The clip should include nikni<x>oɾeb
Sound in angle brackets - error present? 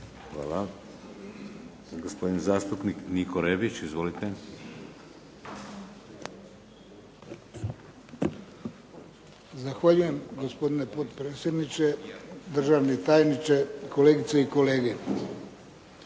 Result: yes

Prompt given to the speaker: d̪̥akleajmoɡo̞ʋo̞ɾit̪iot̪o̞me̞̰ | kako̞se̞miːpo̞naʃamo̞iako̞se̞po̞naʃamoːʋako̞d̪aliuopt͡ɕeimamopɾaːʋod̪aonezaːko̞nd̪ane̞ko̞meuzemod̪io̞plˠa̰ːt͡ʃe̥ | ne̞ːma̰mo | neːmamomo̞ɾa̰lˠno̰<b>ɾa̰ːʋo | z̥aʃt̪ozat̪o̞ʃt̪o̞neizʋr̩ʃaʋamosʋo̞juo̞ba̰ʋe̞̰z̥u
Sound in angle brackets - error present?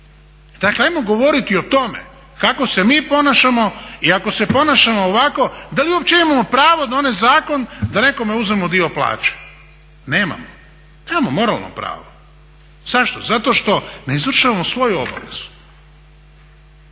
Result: yes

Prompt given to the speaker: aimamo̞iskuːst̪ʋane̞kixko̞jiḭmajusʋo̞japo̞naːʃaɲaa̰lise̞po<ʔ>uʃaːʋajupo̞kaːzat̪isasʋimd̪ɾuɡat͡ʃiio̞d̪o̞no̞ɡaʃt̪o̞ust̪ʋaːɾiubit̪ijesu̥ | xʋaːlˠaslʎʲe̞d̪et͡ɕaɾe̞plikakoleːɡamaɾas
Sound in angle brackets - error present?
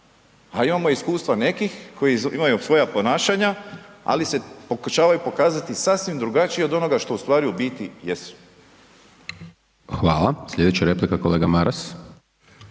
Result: yes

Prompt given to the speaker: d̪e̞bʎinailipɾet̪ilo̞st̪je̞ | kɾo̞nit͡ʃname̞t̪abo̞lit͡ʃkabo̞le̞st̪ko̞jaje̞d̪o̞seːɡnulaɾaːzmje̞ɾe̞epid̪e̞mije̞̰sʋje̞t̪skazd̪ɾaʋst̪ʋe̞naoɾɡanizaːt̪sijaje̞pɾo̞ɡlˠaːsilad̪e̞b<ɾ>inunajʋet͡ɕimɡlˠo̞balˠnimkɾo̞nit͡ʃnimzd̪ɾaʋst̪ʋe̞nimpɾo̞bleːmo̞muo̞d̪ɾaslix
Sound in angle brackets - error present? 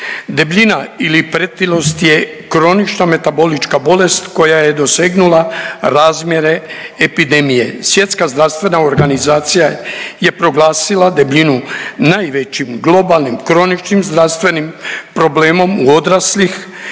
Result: yes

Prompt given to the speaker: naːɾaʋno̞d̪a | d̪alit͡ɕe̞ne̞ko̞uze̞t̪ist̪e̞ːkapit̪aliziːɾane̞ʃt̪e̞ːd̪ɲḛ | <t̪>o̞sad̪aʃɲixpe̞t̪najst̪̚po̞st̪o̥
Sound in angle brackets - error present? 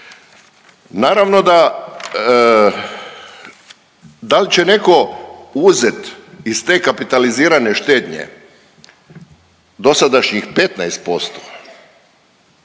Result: yes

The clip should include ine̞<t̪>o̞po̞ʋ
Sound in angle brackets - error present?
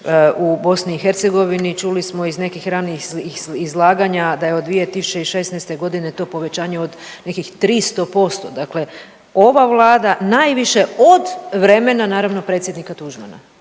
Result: no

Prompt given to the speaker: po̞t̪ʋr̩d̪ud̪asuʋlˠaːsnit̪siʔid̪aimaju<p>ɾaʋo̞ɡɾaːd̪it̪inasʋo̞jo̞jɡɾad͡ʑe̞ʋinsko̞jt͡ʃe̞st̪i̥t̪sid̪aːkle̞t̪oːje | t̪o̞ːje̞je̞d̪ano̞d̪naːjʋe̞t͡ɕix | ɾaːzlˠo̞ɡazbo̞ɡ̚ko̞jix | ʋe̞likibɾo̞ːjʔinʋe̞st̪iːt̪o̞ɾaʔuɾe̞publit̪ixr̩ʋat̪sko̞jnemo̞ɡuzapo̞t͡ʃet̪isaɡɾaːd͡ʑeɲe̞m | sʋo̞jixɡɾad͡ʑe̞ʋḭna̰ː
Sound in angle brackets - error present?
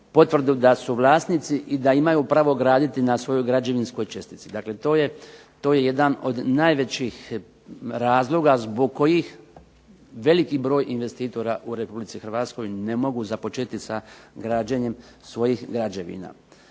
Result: no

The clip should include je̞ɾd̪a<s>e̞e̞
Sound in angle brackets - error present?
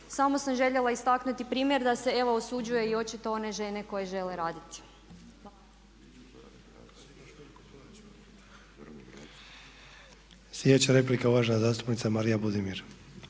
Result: no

